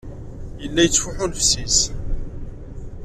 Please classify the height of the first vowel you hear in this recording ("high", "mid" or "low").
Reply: mid